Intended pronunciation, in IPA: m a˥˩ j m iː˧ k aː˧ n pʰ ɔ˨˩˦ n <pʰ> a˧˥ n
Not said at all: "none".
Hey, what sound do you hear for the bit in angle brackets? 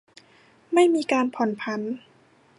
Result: pʰ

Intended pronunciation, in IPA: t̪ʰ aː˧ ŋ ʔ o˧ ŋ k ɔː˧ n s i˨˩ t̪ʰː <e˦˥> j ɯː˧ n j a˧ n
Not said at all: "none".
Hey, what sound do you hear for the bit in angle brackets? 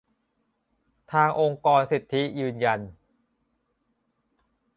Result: i˦˥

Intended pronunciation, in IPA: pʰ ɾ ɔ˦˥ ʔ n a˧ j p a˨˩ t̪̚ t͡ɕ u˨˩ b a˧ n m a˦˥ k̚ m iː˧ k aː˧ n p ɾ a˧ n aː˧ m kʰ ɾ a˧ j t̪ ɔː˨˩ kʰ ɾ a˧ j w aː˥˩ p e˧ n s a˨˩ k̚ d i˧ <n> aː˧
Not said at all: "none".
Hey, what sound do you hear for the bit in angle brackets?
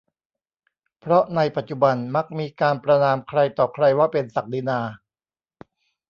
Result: n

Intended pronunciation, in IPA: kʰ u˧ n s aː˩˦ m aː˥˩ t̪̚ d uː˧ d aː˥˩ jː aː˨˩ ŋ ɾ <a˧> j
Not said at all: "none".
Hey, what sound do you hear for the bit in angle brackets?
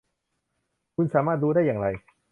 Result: a˧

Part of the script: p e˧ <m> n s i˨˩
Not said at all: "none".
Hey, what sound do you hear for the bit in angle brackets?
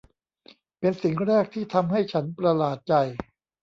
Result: none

